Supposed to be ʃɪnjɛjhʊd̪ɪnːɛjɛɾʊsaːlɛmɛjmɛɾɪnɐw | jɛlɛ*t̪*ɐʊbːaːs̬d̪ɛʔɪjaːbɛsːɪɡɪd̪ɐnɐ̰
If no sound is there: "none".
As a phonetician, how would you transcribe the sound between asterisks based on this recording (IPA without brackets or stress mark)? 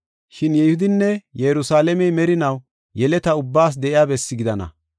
t̪